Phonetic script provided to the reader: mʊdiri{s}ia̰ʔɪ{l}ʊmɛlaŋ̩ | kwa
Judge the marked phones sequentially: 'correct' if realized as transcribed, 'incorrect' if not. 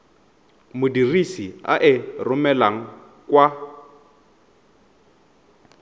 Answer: correct, incorrect: r

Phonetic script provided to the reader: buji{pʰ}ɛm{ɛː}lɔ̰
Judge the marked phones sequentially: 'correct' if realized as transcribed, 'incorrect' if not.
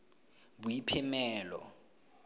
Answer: correct, correct

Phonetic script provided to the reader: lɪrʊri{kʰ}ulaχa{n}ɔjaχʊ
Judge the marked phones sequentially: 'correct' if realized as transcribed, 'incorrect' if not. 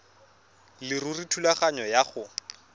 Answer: incorrect: tʰ, incorrect: ɲ

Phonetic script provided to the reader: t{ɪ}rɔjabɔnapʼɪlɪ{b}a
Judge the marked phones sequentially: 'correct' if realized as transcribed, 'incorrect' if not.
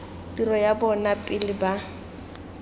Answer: incorrect: i, correct

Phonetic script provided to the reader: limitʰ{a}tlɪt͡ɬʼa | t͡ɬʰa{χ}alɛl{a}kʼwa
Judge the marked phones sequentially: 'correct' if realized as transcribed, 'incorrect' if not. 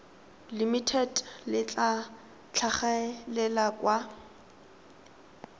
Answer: incorrect: ɛ, correct, correct

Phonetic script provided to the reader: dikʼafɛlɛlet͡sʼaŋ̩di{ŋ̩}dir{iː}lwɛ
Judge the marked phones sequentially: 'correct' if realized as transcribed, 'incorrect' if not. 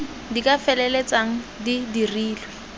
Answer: incorrect: none, correct

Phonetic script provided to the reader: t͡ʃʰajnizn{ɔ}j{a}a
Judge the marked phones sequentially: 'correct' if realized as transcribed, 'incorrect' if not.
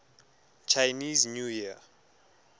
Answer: incorrect: u, incorrect: i

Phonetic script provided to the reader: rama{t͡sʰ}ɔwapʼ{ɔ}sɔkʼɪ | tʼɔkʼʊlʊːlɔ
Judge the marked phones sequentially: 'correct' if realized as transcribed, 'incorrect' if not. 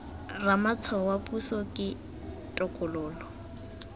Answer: correct, incorrect: u

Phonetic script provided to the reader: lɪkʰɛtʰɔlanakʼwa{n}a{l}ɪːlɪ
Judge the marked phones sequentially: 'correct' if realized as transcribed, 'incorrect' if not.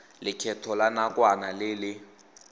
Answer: correct, correct

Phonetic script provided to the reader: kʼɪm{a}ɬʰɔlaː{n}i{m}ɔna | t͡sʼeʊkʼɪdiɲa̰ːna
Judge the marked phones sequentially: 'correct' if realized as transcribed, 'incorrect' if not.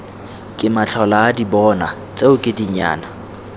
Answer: correct, incorrect: d, incorrect: b

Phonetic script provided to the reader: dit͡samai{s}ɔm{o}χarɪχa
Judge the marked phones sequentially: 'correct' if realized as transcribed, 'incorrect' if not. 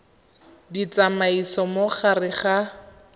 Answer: correct, correct

